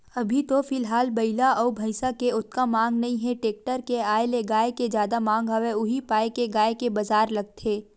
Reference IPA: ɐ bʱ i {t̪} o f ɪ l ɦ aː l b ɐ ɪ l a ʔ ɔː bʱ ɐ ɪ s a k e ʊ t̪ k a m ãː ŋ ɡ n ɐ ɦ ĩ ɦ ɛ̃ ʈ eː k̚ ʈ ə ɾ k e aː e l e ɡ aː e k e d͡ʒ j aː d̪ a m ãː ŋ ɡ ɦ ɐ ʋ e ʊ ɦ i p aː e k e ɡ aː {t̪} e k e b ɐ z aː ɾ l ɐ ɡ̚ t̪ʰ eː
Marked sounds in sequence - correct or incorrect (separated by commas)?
correct, incorrect